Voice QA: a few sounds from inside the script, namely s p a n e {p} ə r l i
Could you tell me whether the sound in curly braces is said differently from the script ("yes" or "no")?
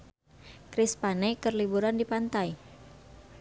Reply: yes